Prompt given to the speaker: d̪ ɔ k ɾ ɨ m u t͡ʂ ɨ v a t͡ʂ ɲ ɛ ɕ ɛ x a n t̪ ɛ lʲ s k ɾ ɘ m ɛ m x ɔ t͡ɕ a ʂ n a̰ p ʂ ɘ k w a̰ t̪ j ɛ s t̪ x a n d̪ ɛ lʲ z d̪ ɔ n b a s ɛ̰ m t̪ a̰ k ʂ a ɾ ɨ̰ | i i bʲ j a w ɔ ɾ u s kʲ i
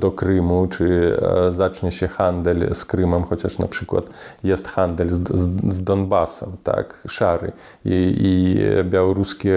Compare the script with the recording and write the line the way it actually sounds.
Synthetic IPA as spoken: d̪ ɔ k ɾ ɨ m u t͡ʂ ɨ z a t͡ʂ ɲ ɛ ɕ ɛ x a n d̪ ɛ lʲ s k ɾ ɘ m ɛ m x ɔ t͡ɕ a ʂ n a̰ p ʂ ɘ k w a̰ t̪ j ɛ s t̪ x a n d̪ ɛ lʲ z d̪ ɔ n b a s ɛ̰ m t̪ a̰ k ʂ a ɾ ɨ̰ | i i bʲ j a w ɔ ɾ u s kʲ ɛ